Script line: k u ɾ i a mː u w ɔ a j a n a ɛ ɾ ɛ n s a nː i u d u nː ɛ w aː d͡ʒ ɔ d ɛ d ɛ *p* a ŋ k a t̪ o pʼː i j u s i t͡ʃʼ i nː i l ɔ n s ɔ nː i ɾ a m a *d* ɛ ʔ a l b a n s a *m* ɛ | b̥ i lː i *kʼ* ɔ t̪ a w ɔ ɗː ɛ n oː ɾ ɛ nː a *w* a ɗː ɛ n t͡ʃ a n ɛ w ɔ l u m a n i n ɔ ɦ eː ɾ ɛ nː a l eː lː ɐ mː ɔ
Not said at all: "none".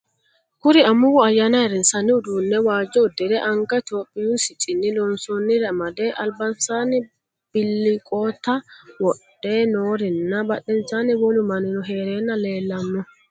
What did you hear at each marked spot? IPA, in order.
ʔ, d, n, kʼ, b

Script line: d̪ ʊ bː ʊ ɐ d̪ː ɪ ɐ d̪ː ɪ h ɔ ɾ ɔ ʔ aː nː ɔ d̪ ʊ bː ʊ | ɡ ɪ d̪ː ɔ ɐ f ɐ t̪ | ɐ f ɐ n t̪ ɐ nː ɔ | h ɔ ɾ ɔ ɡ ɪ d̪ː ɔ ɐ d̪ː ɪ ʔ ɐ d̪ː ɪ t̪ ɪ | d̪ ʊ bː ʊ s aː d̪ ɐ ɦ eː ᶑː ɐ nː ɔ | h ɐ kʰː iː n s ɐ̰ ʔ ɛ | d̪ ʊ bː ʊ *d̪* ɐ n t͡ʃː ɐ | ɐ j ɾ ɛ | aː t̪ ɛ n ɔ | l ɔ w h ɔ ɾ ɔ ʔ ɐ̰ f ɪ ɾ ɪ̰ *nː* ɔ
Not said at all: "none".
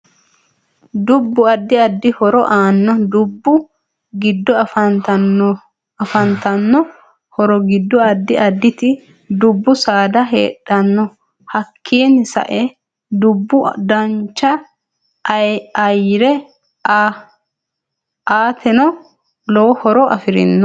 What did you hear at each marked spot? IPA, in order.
d̪, nː

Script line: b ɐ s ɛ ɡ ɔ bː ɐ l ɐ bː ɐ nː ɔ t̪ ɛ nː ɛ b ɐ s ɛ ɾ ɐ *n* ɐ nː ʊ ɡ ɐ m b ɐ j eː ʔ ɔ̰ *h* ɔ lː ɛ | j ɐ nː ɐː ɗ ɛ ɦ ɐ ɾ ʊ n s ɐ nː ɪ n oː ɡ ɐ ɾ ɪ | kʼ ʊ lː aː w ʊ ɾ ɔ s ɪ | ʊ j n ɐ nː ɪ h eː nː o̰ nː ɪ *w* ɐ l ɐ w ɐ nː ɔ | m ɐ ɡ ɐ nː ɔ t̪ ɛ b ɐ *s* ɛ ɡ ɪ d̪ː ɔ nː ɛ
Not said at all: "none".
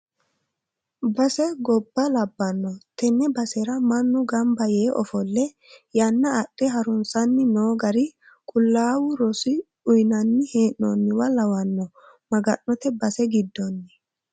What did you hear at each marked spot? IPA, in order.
m, f, w, s

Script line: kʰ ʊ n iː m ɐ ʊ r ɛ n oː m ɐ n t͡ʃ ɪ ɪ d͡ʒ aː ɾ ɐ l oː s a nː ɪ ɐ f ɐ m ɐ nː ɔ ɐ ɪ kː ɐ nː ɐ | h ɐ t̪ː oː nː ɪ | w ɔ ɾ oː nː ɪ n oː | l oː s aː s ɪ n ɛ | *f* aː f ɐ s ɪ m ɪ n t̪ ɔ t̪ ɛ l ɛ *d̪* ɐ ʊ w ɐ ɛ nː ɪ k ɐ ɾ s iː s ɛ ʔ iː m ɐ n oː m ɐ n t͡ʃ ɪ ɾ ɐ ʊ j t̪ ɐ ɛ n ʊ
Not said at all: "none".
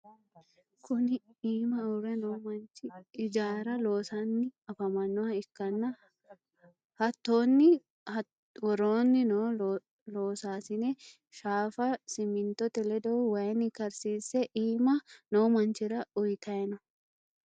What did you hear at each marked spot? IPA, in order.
ʃ, d̪

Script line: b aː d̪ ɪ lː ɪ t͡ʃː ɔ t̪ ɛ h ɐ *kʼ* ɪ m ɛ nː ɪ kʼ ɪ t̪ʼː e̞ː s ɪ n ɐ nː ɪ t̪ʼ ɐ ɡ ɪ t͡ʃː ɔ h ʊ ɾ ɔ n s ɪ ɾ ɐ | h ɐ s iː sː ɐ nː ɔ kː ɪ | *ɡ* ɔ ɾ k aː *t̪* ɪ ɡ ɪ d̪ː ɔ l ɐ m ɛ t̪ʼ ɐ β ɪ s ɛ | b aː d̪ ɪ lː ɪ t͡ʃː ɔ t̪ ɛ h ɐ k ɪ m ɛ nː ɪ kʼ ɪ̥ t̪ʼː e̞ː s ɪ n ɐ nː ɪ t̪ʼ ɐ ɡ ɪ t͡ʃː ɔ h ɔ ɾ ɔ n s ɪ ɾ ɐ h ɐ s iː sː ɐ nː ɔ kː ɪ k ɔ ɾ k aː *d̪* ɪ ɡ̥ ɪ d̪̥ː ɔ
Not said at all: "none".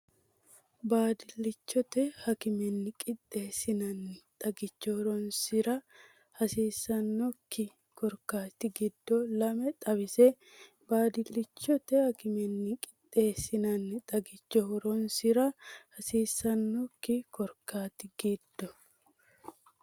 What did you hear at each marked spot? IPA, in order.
k, k, t̪, t̪

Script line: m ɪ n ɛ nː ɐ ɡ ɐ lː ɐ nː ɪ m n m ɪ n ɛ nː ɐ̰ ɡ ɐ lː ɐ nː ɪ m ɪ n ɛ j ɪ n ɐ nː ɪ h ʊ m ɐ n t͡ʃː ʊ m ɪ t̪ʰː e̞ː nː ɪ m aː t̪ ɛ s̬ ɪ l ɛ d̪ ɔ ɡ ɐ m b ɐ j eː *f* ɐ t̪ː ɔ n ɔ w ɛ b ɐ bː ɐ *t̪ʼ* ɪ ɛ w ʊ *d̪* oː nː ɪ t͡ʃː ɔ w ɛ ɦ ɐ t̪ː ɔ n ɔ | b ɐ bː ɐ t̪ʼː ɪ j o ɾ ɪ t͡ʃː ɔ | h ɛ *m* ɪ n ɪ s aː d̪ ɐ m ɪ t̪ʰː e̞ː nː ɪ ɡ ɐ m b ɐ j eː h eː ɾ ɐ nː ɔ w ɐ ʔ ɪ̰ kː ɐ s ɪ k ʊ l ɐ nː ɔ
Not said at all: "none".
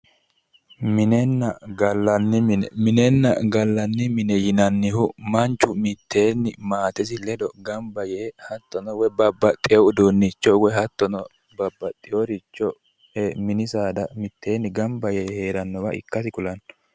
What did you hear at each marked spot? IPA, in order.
h, t̪ʼ, d̪, m

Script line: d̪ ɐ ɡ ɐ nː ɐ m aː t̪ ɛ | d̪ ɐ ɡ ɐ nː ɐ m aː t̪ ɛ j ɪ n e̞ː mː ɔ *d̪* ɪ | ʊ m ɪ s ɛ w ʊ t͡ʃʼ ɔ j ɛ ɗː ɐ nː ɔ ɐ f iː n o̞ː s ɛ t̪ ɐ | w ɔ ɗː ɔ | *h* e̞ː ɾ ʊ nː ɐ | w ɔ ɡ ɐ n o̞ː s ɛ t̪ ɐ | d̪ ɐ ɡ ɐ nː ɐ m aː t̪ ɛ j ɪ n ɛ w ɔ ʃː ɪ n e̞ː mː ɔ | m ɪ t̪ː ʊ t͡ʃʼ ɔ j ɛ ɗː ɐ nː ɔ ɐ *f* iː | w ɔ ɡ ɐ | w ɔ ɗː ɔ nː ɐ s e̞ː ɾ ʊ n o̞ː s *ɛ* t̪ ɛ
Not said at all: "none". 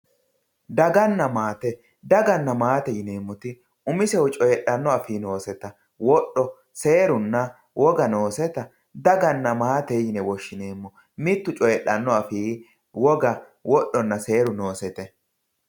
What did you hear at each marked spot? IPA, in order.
t̪, s, f, ɛ

